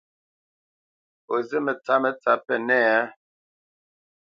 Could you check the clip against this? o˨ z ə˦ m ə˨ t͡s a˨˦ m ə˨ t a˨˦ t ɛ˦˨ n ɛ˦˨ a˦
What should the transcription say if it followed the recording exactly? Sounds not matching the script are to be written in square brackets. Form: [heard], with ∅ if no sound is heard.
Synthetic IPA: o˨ z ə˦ m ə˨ t͡s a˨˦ m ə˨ [t͡s] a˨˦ [p] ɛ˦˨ n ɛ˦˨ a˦